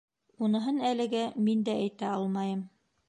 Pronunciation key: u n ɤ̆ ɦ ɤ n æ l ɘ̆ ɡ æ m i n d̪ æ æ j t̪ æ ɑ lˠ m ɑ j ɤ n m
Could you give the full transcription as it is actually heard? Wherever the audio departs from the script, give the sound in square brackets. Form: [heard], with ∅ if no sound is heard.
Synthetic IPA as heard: u n ɤ̆ ɦ ɤ n æ l ɘ̆ ɡ æ m i n d̪ æ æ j t̪ æ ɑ lˠ m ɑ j ɤ [∅] m

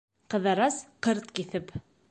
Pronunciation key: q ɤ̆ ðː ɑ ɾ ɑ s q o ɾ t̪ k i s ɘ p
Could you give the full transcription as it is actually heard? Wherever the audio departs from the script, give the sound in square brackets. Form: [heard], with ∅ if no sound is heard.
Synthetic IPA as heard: q ɤ̆ [ð] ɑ ɾ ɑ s q [ɤ] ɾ t̪ k i [θ] ɘ p

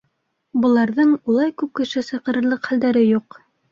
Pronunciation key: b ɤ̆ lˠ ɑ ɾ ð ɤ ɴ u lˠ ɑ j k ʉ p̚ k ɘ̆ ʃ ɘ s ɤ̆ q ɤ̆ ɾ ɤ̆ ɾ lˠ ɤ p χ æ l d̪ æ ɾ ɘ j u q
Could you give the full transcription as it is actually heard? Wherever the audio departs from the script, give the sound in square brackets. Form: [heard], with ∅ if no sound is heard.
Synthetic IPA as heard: b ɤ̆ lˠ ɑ ɾ ð ɤ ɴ u lˠ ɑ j k ʉ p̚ k ɘ̆ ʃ ɘ s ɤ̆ q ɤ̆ ɾ ɤ̆ ɾ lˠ ɤ [q] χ æ l d̪ æ ɾ ɘ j u q

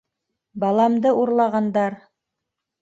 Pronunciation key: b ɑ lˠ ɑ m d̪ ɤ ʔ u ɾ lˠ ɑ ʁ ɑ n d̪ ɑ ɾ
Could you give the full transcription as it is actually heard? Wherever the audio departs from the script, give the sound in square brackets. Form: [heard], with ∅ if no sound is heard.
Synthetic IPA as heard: b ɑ lˠ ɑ m d̪ ɤ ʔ u ɾ lˠ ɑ ʁ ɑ n d̪ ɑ ɾ

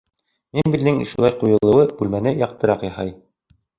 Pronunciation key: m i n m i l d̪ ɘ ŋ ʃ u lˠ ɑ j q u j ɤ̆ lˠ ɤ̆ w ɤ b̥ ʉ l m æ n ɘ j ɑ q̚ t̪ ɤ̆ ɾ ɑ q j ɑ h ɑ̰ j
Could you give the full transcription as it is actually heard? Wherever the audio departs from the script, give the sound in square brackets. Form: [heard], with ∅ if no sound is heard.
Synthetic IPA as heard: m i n [b] i l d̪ ɘ ŋ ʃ u lˠ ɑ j q u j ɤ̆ lˠ ɤ̆ w ɤ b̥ ʉ l m æ n ɘ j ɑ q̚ t̪ ɤ̆ ɾ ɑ q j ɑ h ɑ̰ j

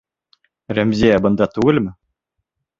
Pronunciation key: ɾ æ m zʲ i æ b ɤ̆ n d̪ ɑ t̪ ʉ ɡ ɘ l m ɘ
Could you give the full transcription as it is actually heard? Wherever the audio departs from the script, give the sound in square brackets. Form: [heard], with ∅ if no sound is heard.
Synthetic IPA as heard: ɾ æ m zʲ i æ b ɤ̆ n d̪ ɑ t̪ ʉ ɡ ɘ l m ɘ

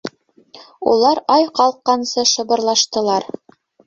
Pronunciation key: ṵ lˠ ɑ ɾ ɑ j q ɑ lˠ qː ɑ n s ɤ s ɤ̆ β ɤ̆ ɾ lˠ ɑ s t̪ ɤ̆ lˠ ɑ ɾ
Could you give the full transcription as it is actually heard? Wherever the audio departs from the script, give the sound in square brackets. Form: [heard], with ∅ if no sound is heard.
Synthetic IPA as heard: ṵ lˠ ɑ ɾ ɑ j q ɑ lˠ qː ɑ n s ɤ [ʃ] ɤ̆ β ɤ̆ ɾ lˠ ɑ [ʃ] t̪ ɤ̆ lˠ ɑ ɾ

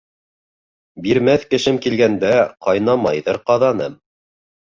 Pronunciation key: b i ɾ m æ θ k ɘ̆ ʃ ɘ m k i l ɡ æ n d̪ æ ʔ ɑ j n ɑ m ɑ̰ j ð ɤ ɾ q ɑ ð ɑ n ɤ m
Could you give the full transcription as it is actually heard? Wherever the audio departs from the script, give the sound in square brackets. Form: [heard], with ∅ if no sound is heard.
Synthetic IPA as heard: b i ɾ m æ θ k ɘ̆ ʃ ɘ m k i l ɡ æ n d̪ æ [q] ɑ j n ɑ m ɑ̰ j ð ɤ ɾ q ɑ ð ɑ n ɤ m

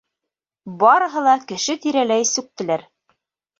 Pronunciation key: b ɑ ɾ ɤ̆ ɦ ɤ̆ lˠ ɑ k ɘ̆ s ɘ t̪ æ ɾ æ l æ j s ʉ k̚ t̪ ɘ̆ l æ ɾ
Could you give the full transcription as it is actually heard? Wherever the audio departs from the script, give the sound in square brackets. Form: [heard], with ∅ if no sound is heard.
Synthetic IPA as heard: b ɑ ɾ ɤ̆ ɦ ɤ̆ lˠ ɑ k ɘ̆ [ʃ] ɘ t̪ [i] ɾ æ l æ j s ʉ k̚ t̪ ɘ̆ l æ ɾ

